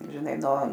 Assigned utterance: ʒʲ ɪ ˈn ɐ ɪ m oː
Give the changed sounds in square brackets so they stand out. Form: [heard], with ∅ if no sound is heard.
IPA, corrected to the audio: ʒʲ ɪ ˈn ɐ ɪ [n] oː